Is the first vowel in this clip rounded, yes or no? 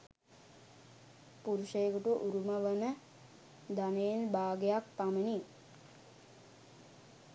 yes